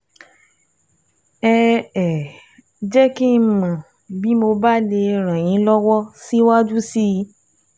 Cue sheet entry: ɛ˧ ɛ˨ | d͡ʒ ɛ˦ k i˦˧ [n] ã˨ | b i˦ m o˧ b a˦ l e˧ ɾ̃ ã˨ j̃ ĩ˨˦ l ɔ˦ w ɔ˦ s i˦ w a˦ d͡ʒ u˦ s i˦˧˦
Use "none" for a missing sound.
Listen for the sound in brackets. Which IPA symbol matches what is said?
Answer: m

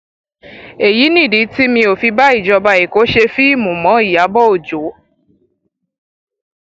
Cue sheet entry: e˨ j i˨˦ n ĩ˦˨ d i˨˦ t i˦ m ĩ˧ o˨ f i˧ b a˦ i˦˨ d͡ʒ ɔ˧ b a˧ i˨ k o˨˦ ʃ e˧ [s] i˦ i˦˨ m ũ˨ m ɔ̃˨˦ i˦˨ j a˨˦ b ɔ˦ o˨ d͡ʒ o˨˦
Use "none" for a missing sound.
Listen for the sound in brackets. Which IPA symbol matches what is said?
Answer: f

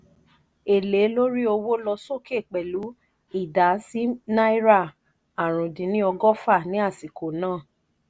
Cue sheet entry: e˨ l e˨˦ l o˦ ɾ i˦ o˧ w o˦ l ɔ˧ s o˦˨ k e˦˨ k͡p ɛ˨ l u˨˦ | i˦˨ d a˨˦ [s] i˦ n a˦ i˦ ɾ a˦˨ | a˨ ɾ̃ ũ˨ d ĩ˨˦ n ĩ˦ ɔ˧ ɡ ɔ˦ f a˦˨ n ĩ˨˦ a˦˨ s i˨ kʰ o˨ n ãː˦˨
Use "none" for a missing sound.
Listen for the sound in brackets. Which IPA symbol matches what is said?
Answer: s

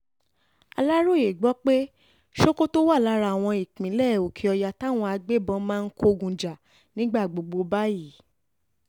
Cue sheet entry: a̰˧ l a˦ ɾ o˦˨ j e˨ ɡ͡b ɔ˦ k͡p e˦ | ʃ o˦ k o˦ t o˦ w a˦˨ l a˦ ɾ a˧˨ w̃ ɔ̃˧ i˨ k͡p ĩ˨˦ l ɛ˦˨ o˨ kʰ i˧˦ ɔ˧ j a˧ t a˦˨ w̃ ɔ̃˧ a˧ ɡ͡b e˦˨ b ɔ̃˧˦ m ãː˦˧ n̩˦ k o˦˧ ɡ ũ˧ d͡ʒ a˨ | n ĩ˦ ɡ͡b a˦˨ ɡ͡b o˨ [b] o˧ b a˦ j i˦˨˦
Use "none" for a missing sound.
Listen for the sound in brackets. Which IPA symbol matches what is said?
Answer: ɡ͡b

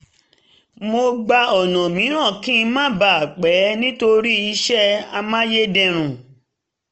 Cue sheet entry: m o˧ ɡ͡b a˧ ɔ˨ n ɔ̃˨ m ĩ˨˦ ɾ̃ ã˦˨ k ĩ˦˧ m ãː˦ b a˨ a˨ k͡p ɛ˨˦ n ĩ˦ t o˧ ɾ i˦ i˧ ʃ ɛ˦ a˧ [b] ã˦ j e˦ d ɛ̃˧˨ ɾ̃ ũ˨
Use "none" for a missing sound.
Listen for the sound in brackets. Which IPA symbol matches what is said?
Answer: m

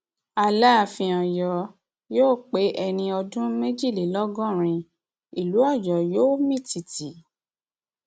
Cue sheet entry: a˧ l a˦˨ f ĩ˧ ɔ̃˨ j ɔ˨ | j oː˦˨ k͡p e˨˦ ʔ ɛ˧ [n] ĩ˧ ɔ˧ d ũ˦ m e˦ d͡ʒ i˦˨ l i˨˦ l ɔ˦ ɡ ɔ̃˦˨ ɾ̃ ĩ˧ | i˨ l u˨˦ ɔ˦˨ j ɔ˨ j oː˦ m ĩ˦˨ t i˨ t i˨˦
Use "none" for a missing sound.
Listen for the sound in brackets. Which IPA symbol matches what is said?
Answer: n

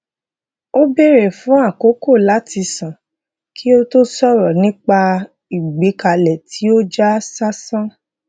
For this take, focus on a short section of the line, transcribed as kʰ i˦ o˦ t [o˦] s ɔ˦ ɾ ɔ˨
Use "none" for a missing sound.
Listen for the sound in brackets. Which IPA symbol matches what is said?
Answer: o˦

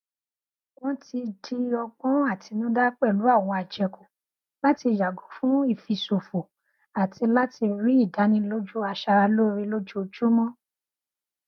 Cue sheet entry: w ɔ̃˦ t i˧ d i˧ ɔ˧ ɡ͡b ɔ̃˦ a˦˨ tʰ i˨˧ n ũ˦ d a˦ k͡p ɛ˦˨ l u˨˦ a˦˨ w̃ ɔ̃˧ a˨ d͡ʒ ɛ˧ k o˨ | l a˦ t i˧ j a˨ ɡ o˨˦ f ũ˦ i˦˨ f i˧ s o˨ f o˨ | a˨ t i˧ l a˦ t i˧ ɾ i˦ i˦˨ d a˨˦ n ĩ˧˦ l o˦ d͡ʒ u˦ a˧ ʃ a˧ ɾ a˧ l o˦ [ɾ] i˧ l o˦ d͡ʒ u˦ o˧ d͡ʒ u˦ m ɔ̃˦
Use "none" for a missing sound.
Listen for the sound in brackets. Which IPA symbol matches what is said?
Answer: ɾ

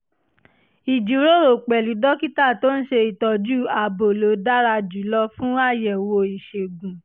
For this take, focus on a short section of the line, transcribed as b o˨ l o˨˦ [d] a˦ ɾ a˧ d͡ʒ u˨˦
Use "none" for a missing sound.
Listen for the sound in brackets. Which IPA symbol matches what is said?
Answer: d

